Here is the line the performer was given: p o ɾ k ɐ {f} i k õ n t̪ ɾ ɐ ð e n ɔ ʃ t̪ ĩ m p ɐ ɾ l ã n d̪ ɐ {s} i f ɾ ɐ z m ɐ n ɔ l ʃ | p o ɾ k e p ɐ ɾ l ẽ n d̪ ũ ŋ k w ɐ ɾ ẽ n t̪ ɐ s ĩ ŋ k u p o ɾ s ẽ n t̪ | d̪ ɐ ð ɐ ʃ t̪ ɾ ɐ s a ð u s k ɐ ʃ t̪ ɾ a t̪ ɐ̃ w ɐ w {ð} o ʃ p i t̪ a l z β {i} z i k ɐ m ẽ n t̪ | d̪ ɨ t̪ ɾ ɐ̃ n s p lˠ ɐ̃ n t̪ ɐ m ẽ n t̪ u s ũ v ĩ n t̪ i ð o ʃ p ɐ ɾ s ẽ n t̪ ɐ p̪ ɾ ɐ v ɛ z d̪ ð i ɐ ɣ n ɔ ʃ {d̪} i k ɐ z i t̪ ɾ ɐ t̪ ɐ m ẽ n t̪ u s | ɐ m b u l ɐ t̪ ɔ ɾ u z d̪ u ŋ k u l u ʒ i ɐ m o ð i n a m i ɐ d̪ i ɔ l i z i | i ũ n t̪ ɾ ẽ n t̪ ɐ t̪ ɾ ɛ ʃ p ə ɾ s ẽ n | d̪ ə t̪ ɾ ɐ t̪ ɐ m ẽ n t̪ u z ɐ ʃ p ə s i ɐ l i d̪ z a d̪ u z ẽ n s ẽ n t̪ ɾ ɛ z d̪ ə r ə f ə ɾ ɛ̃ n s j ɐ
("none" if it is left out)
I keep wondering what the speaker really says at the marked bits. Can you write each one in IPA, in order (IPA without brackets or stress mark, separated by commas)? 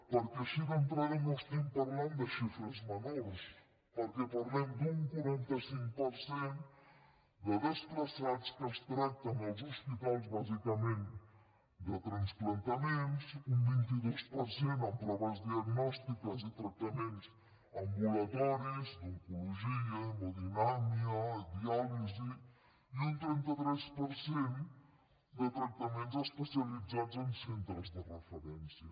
ʃ, ʃ, z, a, t̪